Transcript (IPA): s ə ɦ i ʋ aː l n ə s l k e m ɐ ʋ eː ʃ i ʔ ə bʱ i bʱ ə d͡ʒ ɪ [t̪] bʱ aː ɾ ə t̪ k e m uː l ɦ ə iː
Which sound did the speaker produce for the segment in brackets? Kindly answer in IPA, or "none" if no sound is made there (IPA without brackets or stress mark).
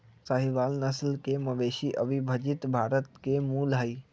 t̪